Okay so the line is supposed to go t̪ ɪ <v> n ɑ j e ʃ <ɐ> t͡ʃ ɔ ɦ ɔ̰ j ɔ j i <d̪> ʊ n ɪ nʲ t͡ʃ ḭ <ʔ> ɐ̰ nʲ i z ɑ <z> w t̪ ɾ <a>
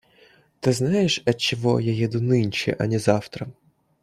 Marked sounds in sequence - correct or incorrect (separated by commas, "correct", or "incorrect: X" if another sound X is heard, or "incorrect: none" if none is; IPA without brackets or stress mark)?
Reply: incorrect: z, correct, correct, correct, incorrect: none, incorrect: ɐ